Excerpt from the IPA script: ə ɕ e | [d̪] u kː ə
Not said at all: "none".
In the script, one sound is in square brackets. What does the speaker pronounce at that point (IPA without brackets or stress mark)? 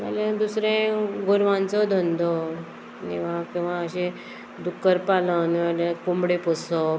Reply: d̪